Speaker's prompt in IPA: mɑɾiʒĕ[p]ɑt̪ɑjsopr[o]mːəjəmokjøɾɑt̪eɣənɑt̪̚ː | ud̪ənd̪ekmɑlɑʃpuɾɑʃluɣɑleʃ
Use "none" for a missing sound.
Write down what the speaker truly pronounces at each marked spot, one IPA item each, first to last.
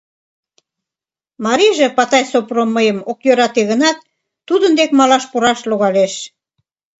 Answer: p, o

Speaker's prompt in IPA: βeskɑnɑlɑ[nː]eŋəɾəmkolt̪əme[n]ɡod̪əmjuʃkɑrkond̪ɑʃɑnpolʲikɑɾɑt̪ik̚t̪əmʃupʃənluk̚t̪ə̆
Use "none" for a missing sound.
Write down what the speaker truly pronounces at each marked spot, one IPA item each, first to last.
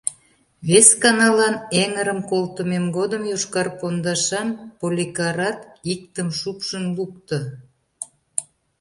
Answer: n, m

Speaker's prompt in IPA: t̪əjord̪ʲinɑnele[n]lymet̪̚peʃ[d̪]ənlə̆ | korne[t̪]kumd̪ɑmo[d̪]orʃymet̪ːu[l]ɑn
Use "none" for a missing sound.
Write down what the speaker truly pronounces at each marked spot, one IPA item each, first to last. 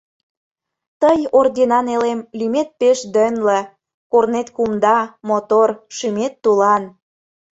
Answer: m, d̪, t̪, t̪, l

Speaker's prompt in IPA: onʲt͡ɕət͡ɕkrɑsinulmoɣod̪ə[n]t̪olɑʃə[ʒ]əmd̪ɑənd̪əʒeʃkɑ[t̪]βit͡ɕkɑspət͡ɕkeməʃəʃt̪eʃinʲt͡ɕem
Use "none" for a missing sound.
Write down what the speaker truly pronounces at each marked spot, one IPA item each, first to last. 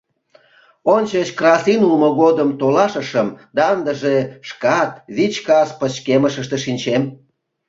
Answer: m, ʃ, t̪

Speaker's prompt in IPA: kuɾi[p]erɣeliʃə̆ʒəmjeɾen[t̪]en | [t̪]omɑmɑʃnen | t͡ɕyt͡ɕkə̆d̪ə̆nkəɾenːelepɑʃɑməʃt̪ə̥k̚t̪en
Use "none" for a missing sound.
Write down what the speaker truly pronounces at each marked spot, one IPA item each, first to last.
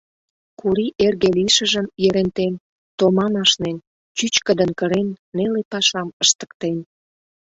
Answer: ʔ, t̪, t̪

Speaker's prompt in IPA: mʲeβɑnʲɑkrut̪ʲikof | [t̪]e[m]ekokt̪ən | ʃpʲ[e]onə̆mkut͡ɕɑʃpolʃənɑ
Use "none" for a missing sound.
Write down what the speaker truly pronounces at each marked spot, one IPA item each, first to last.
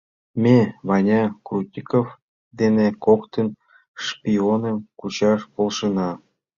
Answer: d̪, n, i

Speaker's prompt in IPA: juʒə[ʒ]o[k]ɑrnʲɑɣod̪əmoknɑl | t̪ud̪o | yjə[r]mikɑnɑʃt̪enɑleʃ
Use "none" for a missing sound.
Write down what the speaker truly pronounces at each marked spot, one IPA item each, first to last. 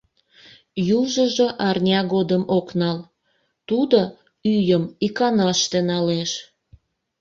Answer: ʒ, ʔ, none

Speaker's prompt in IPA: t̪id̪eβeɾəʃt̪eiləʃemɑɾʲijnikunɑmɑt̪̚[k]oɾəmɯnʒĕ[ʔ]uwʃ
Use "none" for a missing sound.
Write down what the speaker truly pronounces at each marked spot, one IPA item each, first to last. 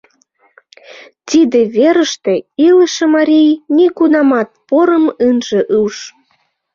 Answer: p, ʔ

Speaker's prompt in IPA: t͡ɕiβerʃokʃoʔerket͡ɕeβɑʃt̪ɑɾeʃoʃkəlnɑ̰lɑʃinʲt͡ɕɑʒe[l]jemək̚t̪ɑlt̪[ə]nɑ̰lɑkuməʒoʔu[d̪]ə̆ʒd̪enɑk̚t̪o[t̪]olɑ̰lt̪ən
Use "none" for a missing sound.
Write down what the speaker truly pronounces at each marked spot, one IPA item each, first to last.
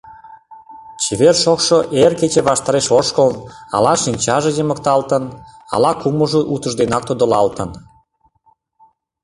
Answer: none, ə, t̪, d̪

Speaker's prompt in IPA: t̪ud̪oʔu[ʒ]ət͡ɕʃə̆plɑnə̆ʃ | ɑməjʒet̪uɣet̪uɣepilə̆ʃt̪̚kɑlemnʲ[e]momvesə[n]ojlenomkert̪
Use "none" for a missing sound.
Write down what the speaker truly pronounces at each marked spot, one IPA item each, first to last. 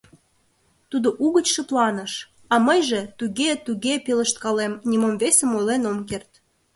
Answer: ɣ, i, m

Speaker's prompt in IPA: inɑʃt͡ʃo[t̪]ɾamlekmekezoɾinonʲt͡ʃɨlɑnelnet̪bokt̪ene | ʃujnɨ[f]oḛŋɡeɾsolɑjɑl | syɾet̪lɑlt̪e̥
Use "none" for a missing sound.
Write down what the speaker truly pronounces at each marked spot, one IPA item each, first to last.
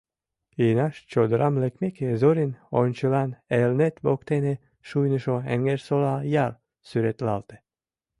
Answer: d̪, ʃ

